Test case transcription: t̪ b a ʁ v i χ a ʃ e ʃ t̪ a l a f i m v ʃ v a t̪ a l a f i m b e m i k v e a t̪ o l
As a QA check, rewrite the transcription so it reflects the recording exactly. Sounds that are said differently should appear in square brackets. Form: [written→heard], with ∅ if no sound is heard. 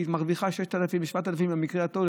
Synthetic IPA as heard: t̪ [b→m] a ʁ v i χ a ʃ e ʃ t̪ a l a f i m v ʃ v a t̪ a l a f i m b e m i k [v→ʁ] e a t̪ o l